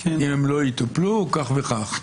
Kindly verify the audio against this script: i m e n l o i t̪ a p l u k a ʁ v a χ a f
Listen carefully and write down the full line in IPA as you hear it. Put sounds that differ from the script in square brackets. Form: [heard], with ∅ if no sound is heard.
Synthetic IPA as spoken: i m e [m] l o i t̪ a p l u k a [χ] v [e] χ a [χ]